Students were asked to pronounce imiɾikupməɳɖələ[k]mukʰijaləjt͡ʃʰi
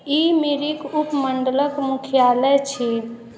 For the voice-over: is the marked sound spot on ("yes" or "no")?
yes